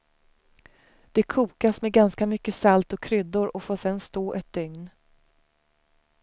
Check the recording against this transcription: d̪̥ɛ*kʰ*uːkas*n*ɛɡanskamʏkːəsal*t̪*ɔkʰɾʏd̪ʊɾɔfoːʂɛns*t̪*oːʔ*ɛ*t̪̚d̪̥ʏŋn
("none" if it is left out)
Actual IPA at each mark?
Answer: kʰ, m, t̪, t̪, ɛ

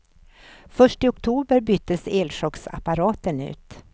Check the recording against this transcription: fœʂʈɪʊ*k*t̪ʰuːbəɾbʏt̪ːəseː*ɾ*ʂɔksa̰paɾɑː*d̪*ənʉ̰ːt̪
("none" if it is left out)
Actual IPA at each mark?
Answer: k, l, t̪

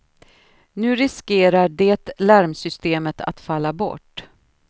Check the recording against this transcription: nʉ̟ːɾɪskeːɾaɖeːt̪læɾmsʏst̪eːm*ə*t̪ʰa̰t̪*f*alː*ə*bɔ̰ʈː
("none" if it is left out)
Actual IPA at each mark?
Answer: ə, f, a

